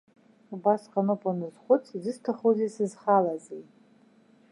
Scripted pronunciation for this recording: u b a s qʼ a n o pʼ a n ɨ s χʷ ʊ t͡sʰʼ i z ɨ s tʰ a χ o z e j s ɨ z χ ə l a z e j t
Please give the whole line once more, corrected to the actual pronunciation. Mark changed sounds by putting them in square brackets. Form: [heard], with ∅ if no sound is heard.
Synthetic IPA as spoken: u b a s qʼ a n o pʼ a n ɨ [z] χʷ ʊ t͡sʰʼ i z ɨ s tʰ a χ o z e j s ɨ z χ [a] l a z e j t